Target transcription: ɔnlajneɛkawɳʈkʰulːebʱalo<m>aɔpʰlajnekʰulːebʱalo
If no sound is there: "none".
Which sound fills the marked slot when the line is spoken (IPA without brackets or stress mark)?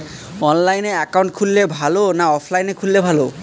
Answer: n